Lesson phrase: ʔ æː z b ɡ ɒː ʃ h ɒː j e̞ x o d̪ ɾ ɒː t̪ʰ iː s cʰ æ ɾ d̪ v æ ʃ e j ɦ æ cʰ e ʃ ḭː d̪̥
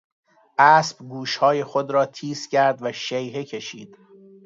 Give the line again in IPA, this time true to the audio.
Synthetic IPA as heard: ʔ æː s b ɡ uː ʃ h ɒː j e̞ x o d̪ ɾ ɒː t̪ʰ iː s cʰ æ ɾ d̪ v æ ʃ e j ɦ e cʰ e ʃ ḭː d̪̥

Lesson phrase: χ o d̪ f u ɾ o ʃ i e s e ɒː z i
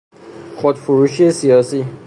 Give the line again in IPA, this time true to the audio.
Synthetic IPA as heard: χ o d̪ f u ɾ u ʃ i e s i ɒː s i

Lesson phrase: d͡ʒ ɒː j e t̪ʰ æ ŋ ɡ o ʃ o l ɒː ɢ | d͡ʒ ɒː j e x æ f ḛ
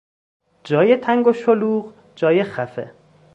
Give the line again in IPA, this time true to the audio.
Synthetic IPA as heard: d͡ʒ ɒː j e t̪ʰ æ ŋ ɡ o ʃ o l uː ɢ | d͡ʒ ɒː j e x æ f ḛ

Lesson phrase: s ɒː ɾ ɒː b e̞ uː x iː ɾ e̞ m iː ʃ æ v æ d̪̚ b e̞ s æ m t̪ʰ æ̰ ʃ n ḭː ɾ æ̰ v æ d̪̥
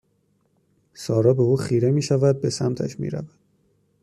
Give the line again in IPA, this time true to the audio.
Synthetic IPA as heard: s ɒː ɾ ɒː b e̞ uː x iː ɾ e̞ m iː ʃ æ v æ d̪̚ b e̞ s æ m t̪ʰ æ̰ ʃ m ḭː ɾ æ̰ v æ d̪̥

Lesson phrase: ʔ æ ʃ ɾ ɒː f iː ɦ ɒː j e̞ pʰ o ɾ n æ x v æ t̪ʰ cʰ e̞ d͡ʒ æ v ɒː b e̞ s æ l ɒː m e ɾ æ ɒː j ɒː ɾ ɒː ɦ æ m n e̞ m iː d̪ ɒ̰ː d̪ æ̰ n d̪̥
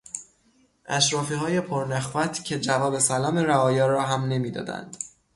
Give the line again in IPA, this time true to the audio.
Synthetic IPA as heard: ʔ æ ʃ ɾ ɒː f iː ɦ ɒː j e̞ pʰ o ɾ n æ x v æ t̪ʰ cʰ e̞ d͡ʒ æ v ɒː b e̞ s æ l ɒː m e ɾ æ ɒː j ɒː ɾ ɒː ɦ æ m n e̞ m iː d̪ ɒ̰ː d̪ æ̰ n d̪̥

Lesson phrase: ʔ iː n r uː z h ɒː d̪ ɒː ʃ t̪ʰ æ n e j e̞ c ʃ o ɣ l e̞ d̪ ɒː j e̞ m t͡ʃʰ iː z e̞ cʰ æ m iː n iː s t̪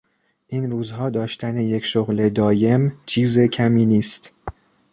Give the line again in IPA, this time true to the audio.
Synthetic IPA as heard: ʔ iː n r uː z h ɒː d̪ ɒː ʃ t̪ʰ æ n e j e̞ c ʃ o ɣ l e̞ d̪ ɒː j e̞ m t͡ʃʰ iː z e̞ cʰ æ m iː n iː s t̪

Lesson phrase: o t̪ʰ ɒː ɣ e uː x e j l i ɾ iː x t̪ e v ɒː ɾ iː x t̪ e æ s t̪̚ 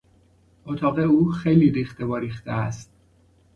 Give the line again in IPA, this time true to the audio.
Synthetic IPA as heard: o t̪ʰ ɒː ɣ e uː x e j l i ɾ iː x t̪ e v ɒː ɾ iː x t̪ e æ s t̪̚

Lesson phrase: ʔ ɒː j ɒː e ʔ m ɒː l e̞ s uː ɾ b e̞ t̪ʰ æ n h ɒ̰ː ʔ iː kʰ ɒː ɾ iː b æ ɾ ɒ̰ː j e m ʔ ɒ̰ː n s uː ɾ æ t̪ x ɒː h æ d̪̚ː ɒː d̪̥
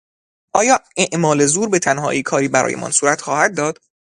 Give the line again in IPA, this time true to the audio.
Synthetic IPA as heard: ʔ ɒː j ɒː e ʔ m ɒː l e̞ z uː ɾ b e̞ t̪ʰ æ n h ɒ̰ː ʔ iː kʰ ɒː ɾ iː b æ ɾ ɒ̰ː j e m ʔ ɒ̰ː n s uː ɾ æ t̪ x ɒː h æ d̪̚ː ɒː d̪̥

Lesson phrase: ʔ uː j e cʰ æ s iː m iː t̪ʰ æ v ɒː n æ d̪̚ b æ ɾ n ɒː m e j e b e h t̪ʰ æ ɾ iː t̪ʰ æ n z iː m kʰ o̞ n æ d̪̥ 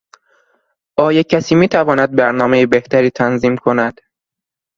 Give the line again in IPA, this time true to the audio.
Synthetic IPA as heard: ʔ ɒː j e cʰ æ s iː m iː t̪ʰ æ v ɒː n æ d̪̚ b æ ɾ n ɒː m e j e b e h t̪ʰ æ ɾ iː t̪ʰ æ n z iː m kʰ o̞ n æ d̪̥

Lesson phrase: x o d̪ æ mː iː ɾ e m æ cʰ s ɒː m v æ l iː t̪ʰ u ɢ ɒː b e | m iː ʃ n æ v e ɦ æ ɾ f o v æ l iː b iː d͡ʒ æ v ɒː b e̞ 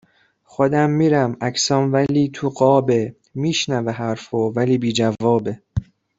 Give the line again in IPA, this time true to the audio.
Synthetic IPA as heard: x o d̪ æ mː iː ɾ æ m æ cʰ s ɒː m v æ l iː t̪ʰ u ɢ ɒː b e | m iː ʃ n æ v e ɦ æ ɾ f o v æ l iː b iː d͡ʒ æ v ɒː b e̞

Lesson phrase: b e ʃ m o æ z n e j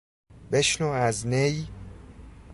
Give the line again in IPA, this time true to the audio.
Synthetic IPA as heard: b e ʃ n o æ z n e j

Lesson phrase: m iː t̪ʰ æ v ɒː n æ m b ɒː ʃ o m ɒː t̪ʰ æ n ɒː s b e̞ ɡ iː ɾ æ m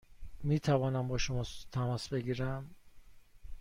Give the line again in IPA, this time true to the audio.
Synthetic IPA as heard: m iː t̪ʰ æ v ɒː n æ m b ɒː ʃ o m ɒː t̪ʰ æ m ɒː s b e̞ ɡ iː ɾ æ m

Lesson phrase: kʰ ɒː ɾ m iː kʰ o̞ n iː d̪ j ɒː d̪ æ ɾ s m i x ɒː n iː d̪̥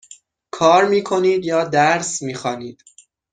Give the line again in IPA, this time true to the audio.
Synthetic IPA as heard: kʰ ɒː ɾ m iː kʰ o̞ n iː d̪ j ɒː d̪ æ ɾ s m iː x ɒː n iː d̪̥

